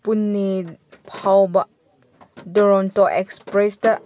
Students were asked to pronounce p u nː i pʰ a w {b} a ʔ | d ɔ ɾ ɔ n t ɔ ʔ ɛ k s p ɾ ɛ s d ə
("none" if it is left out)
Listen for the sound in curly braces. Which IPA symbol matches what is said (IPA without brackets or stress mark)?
b